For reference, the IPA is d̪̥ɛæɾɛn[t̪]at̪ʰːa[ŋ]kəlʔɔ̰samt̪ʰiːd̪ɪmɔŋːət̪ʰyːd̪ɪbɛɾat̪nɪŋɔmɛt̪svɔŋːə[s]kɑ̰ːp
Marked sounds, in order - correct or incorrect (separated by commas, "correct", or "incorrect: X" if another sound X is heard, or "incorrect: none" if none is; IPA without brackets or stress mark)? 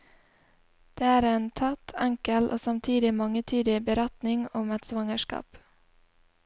incorrect: t̪ʰ, correct, incorrect: ʂ